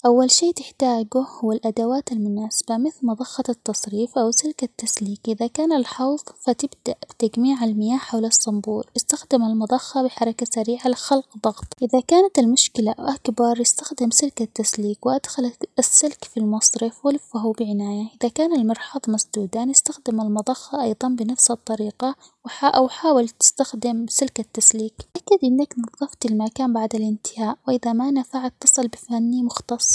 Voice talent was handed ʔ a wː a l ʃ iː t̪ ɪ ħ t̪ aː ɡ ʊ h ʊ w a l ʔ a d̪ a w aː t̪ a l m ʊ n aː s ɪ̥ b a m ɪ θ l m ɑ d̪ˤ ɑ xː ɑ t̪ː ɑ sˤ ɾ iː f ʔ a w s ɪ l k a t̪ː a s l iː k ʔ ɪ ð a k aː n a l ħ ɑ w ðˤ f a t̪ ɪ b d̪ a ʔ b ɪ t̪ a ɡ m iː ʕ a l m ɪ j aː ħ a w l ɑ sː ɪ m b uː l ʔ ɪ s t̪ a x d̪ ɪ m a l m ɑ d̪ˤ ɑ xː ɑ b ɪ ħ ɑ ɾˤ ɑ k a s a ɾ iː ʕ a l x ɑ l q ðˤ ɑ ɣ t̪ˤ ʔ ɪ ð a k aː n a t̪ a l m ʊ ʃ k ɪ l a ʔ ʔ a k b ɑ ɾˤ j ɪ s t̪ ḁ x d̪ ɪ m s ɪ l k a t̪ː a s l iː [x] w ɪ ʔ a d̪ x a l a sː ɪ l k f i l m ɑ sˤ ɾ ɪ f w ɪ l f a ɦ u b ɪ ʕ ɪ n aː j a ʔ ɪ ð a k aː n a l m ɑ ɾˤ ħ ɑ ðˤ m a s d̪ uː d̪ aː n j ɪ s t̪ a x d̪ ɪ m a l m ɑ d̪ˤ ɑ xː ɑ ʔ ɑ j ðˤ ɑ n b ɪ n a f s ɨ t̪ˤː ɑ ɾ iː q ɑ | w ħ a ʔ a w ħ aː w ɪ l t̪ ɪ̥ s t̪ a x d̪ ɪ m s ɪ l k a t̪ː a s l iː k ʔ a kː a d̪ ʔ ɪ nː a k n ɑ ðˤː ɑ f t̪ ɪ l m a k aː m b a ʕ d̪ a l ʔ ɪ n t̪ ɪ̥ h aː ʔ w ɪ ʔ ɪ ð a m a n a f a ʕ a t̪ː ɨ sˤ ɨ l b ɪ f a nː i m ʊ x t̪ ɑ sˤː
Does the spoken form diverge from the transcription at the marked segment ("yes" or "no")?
yes